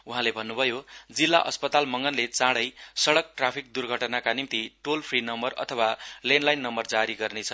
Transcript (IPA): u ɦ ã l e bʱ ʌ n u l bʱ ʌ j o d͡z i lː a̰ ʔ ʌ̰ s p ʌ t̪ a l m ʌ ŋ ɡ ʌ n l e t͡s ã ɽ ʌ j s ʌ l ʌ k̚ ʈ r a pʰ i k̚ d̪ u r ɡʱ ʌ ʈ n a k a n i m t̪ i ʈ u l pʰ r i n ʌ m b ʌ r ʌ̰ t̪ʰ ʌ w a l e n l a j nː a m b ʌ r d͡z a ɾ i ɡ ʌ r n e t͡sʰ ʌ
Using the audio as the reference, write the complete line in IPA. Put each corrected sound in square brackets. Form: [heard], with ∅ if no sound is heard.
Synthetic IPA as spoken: u ɦ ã l e bʱ ʌ [nː] u [∅] bʱ ʌ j o d͡z i lː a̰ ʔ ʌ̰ s p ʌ t̪ a l m ʌ ŋ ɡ ʌ n l e t͡s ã ɽ ʌ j s ʌ [ɽ] ʌ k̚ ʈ r a pʰ i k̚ d̪ u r ɡʱ ʌ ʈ n a k a n i m t̪ i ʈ [o] l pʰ r i n ʌ m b ʌ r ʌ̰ t̪ʰ ʌ w a l e n l a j nː [ʌ] m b ʌ r d͡z a ɾ i ɡ ʌ r n e t͡sʰ ʌ